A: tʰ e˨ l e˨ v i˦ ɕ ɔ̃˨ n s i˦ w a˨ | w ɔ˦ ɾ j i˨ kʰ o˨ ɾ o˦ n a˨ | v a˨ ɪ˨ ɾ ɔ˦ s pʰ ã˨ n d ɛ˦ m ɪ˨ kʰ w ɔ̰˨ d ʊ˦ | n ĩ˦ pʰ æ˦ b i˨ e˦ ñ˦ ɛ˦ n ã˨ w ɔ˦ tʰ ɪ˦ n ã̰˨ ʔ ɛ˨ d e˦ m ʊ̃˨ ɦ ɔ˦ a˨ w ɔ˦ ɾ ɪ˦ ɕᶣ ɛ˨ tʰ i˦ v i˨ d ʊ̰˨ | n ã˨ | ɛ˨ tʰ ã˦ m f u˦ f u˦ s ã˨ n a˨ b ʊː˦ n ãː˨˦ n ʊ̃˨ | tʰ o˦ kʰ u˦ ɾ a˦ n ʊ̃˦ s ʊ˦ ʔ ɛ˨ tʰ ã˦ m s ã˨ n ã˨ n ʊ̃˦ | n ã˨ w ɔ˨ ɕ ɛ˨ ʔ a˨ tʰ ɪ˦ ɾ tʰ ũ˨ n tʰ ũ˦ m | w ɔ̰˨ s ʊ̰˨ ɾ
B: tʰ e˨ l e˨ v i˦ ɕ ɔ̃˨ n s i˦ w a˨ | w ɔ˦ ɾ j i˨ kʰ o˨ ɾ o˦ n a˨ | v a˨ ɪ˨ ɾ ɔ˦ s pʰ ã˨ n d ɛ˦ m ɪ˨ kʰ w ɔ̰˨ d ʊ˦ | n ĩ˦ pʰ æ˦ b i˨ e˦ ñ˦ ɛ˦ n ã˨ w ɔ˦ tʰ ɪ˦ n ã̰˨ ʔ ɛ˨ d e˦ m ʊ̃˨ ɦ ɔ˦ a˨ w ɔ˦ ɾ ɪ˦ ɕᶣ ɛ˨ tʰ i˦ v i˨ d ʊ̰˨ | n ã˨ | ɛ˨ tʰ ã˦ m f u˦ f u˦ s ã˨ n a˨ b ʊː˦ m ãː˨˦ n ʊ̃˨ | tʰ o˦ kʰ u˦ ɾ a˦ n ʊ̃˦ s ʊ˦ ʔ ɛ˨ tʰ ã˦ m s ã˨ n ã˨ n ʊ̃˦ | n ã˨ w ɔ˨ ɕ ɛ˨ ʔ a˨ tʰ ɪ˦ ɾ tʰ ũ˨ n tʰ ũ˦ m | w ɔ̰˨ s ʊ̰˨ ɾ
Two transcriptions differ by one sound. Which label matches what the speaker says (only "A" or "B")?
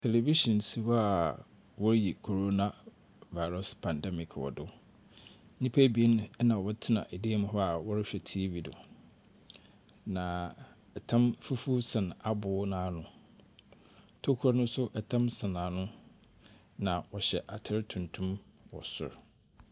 A